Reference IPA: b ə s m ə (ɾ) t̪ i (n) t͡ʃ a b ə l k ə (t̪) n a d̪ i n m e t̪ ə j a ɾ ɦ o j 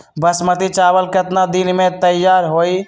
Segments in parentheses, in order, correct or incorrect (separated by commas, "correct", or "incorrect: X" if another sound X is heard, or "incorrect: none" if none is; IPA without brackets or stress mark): incorrect: none, incorrect: none, correct